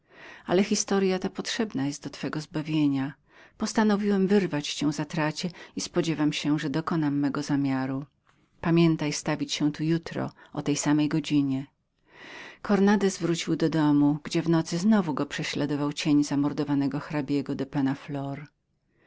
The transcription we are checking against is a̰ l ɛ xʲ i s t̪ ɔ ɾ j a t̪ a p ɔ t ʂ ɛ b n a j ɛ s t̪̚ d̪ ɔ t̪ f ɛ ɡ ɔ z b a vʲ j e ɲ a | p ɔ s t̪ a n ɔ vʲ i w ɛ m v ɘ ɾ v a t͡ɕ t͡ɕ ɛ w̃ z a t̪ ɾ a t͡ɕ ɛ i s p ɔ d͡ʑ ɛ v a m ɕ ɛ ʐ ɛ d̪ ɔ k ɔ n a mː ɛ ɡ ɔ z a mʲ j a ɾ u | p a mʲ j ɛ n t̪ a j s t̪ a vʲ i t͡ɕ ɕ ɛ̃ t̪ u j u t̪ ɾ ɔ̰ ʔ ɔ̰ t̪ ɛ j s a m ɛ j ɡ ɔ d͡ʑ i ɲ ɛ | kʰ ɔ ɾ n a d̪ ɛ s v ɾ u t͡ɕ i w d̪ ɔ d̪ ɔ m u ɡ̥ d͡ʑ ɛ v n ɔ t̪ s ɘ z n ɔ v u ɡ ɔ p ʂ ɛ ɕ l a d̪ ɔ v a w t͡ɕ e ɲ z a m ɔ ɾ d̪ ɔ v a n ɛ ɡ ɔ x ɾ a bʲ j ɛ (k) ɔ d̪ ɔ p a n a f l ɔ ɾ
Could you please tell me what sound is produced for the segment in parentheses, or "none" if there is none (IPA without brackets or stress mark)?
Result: ɡ